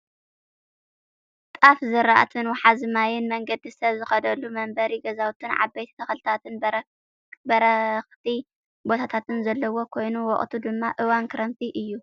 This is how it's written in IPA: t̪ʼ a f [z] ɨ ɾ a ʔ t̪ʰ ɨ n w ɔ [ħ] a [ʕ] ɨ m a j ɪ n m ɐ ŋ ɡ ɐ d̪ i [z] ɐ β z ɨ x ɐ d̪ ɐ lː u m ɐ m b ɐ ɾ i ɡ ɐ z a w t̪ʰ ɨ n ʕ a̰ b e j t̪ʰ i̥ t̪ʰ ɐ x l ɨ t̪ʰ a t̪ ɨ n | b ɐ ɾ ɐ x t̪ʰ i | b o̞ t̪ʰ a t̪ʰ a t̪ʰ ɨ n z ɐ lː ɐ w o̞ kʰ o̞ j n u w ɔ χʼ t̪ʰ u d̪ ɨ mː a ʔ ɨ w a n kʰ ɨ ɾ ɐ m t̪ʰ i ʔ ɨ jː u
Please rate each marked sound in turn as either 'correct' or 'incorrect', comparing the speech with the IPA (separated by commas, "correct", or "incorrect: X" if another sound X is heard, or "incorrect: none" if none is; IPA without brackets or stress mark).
correct, correct, incorrect: z, incorrect: s